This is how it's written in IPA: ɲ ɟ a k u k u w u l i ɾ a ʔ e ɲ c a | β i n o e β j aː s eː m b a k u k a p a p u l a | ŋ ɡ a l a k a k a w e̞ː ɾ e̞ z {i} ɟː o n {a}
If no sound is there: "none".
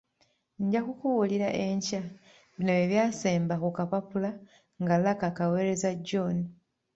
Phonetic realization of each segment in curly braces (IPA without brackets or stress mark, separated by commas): a, i